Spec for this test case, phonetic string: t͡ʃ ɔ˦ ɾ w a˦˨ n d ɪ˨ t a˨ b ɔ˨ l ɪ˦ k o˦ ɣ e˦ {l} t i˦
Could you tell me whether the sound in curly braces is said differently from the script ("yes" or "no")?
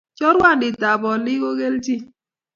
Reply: no